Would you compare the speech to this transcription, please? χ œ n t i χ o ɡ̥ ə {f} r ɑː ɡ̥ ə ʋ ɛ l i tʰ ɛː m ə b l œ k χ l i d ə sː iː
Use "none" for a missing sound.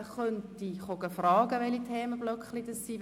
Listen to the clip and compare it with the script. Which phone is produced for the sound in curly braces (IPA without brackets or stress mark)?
f